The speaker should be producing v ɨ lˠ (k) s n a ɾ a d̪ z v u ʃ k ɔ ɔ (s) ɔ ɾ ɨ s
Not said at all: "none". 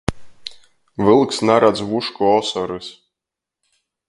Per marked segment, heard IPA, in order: k, s

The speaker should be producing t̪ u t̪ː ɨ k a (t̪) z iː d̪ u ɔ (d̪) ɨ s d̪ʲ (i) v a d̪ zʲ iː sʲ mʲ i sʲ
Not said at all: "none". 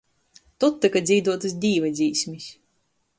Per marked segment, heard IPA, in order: d̪, t̪, iː

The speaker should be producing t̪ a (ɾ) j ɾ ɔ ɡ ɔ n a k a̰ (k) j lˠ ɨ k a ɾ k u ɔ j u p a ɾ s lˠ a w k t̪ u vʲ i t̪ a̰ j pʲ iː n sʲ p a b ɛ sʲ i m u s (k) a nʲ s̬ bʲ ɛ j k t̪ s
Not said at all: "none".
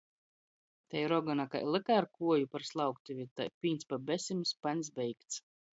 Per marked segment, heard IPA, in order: none, none, p

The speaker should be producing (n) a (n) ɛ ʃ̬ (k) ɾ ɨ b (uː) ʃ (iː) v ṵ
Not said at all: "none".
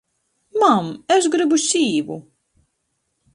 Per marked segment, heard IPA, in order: m, m, ɡ, u, iː

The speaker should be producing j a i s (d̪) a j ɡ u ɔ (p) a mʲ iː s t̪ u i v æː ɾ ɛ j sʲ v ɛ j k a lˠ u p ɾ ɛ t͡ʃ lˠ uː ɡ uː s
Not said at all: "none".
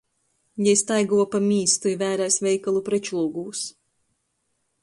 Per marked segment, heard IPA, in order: t̪, p

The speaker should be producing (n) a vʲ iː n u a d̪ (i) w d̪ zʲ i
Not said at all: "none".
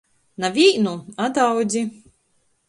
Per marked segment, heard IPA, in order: n, a

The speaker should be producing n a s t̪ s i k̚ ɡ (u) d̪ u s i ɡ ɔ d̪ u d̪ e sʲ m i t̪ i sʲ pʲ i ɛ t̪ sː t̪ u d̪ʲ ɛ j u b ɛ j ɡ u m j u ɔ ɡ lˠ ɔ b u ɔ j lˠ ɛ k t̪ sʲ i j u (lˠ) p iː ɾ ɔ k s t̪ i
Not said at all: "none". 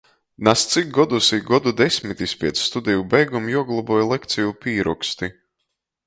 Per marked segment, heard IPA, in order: ɔ, none

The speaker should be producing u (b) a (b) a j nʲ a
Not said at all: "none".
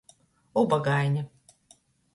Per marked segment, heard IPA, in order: b, ɡ

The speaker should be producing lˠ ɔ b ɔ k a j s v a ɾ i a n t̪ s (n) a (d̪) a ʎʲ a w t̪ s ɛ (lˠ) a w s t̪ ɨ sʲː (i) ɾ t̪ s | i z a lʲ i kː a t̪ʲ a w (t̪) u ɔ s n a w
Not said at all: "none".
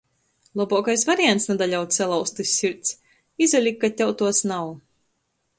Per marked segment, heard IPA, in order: n, d̪, lˠ, i, t̪

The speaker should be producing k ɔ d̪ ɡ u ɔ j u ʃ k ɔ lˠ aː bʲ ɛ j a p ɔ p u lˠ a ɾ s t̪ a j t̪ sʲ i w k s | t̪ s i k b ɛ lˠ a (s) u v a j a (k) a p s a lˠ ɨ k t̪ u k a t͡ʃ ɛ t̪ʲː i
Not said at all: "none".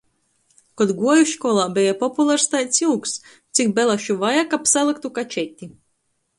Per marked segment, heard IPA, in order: ʃ, k

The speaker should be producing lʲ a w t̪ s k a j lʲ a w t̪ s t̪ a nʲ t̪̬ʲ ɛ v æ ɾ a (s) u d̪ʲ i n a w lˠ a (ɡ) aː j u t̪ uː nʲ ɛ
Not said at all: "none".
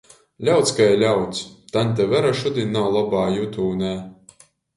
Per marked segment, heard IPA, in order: ʃ, b

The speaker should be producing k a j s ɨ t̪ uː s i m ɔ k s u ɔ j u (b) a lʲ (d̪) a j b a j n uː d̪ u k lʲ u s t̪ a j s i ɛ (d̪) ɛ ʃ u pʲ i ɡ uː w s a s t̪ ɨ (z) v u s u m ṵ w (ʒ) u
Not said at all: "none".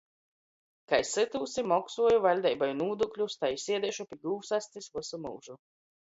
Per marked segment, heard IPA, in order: v, d̪, d̪, s, ʒ

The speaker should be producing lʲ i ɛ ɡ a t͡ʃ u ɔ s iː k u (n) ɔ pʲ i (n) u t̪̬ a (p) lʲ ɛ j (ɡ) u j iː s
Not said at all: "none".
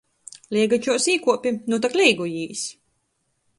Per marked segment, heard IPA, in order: none, n, k, ɡ

